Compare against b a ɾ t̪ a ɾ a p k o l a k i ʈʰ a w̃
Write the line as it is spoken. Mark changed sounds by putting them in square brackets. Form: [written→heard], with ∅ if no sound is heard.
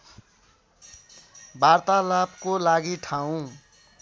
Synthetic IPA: b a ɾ t̪ a [ɾ→l] a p k o l a [k→ɡ] i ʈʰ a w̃